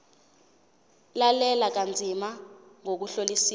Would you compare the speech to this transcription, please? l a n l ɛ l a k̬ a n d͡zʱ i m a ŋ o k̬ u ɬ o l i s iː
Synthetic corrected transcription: l a l ɛ l a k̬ a n d͡zʱ i m a ŋ o k̬ u ɬ o l i s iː